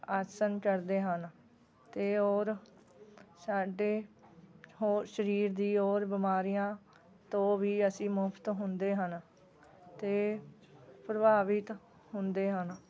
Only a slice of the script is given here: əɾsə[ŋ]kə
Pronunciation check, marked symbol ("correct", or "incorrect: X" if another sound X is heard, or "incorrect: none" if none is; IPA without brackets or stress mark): incorrect: n